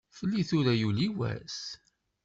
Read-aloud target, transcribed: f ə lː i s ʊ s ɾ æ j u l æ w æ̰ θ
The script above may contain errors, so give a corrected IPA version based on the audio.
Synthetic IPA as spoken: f ə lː i θ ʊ ɾ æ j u l i w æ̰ s